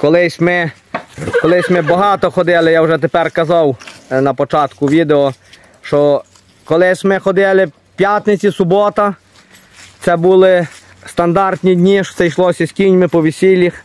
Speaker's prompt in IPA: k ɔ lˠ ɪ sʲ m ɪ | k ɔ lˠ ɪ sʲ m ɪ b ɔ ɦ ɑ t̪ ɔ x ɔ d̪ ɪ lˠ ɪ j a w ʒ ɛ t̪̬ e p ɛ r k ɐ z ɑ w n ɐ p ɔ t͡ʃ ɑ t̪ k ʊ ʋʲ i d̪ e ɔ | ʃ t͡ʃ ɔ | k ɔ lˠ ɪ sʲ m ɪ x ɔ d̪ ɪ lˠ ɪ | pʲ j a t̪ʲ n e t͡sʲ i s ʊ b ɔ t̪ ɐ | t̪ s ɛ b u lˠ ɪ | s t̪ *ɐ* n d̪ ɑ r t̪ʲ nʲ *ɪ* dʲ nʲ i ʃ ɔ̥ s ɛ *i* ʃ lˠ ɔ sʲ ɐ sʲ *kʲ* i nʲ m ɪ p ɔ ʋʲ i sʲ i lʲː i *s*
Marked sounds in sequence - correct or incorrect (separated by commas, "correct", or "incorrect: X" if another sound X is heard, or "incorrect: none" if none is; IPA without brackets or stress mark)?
correct, incorrect: i, incorrect: j, correct, incorrect: x